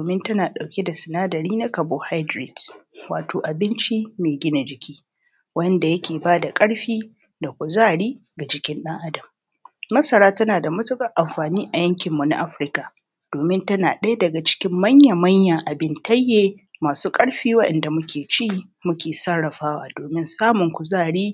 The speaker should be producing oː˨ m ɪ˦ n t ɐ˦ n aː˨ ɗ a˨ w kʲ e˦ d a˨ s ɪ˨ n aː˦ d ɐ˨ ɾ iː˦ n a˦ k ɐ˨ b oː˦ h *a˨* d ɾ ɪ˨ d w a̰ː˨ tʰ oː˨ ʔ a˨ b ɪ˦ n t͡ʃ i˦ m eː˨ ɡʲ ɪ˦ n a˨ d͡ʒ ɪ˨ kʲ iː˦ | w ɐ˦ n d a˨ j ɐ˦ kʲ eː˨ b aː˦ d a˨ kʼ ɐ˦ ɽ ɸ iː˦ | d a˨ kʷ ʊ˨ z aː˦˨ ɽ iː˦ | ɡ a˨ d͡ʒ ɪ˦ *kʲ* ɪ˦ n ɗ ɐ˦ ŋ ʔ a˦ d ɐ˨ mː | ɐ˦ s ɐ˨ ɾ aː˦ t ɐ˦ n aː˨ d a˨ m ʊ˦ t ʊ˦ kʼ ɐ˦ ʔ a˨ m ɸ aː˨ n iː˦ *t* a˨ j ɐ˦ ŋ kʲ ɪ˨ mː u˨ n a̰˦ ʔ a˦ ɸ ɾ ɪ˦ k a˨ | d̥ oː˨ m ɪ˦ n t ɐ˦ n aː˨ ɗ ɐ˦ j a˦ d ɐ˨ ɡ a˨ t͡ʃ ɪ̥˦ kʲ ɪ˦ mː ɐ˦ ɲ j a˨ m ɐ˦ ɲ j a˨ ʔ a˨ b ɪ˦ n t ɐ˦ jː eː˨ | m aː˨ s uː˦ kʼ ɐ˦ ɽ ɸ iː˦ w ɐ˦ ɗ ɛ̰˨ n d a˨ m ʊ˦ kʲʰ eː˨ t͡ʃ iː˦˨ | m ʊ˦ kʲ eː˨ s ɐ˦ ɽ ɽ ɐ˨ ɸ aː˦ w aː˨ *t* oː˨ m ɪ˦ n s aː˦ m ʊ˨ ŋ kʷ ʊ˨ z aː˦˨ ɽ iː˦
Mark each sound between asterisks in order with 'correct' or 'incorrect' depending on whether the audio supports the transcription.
incorrect: a˦, correct, incorrect: ʔ, incorrect: d

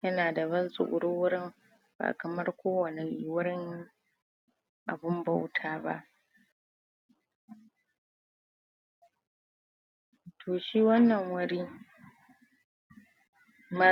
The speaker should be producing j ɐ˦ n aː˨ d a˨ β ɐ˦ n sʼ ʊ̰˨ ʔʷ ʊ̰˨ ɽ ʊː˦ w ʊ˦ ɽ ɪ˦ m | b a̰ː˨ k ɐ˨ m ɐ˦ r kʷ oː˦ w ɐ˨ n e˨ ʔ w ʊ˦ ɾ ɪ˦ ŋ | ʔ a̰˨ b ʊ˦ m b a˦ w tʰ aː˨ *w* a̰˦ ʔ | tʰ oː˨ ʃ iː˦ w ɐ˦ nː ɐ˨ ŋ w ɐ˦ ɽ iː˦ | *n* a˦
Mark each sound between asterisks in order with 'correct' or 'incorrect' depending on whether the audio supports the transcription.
incorrect: b, incorrect: m

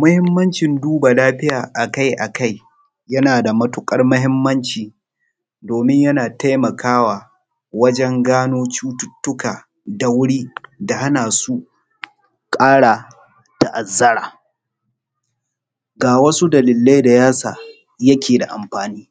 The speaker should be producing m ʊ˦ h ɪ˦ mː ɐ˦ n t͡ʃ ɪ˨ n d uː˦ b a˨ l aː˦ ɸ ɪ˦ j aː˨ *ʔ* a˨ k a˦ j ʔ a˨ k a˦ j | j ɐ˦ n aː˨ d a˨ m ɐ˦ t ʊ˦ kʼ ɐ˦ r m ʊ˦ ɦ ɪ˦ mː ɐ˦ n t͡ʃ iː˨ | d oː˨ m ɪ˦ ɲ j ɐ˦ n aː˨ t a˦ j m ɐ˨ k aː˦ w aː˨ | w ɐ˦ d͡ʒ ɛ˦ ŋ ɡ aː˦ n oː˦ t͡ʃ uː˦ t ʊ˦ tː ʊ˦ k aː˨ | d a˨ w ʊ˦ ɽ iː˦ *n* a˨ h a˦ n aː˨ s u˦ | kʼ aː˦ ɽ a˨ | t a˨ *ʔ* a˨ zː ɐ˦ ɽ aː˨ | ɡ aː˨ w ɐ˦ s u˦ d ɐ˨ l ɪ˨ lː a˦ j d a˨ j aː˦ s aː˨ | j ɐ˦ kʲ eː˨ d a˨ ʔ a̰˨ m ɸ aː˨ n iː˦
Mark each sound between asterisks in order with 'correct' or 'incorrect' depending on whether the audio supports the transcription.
correct, incorrect: d, correct

